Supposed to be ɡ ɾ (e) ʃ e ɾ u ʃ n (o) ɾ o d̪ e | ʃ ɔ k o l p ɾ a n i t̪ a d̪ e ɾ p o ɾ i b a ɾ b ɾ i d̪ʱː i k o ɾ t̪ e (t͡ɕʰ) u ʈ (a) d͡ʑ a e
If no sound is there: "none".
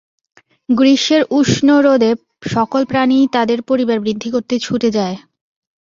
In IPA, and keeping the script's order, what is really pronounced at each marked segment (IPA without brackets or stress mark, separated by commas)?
i, o, t͡ɕʰ, e